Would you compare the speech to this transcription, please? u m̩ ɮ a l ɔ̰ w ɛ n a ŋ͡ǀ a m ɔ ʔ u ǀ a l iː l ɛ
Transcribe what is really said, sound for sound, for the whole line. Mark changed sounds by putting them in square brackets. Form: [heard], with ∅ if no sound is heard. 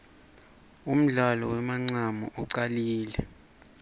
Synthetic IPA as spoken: u m̩ ɮ a l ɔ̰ w ɛ [m] a ŋ͡ǀ a m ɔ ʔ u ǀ a l iː l ɛ

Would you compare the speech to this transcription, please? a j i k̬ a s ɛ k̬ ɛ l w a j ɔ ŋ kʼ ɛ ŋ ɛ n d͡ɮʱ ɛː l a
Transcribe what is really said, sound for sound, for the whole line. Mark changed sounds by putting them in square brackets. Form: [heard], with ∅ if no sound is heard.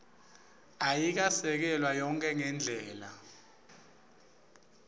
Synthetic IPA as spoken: a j i k̬ a s ɛ k̬ ɛ l w a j ɔ ŋ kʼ ɛ ŋ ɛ n d͡ɮʱ ɛː l a

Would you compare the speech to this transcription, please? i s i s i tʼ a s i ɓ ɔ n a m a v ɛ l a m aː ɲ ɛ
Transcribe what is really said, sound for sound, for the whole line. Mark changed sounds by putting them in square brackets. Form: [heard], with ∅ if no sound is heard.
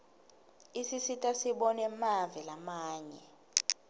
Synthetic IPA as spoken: i s i s i tʼ a s i ɓ ɔ n [ɛ] m a v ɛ l a m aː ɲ ɛ

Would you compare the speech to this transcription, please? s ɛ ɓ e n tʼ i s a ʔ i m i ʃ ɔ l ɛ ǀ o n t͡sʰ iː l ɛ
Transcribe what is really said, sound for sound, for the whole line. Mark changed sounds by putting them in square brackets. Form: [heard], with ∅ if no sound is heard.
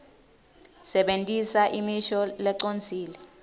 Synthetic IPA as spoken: s ɛ ɓ e n tʼ i s a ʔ i m i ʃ ɔ l ɛ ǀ o n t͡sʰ iː l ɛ

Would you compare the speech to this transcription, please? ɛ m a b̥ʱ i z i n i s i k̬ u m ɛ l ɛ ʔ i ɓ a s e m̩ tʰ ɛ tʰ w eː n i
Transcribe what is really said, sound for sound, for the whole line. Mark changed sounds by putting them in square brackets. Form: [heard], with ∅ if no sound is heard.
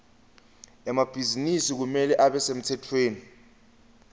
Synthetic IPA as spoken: ɛ m a b̥ʱ i z i n i s i k̬ u m ɛ l ɛ ʔ [a] ɓ [ɛ] s e m̩ tʰ ɛ tʰ w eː n i

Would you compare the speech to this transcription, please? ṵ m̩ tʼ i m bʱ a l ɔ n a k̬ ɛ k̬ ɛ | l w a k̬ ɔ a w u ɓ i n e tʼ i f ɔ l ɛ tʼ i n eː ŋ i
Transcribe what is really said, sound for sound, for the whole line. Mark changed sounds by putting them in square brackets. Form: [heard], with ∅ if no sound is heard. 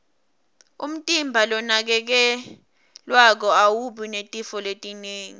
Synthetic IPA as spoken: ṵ m̩ tʼ i m bʱ a l ɔ n a k̬ ɛ k̬ ɛ | l w a k̬ ɔ a w u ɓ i n e tʼ i f ɔ l [e] tʼ i n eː ŋ i

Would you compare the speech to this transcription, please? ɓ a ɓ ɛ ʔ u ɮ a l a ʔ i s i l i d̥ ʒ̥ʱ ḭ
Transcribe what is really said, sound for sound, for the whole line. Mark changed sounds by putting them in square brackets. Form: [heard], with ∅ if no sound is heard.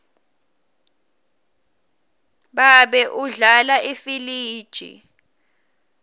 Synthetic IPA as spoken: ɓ a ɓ ɛ ʔ u ɮ a l a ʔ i [f] i l [iː] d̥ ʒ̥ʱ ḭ

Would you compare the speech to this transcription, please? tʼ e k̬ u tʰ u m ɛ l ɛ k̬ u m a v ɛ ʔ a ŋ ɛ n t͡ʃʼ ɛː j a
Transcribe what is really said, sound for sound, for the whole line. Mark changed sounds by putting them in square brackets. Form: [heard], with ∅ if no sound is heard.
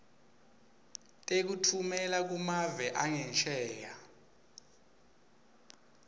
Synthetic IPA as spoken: tʼ e k̬ u tʰ u m ɛ l [a] k̬ u m a v ɛ ʔ a ŋ ɛ n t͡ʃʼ ɛː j a

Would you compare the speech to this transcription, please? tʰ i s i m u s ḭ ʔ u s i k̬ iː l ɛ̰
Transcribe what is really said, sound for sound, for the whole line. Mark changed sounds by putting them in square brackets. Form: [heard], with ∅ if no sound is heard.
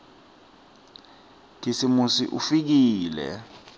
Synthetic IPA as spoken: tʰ i s i m u s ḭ ʔ u [f] i k̬ iː l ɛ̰

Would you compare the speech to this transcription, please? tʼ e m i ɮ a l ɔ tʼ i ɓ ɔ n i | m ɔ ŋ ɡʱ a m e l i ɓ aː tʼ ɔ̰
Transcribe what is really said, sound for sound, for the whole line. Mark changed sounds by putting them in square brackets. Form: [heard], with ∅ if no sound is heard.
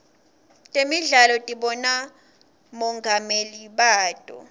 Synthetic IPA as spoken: tʼ e m i ɮ a l ɔ tʼ i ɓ ɔ n [a] | m ɔ ŋ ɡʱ a m e l i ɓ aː tʼ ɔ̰

